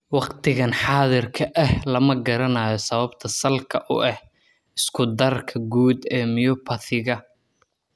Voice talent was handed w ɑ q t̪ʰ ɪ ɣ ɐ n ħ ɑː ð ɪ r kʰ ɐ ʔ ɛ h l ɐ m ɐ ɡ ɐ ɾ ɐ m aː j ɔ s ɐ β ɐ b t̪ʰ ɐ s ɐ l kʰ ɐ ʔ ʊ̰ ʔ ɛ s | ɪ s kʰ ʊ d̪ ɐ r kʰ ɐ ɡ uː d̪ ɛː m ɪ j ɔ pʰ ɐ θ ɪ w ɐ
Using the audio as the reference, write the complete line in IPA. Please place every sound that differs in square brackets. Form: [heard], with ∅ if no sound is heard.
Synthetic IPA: w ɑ q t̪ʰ ɪ ɣ ɐ n ħ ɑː ð ɪ r kʰ ɐ ʔ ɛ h l ɐ m ɐ ɡ ɐ ɾ ɐ [n] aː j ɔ s ɐ β ɐ b t̪ʰ ɐ s ɐ l kʰ ɐ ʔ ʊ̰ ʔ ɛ [h] | ɪ s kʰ ʊ d̪ ɐ r kʰ ɐ ɡ uː d̪ ɛː m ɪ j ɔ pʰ ɐ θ ɪ [ɣ] ɐ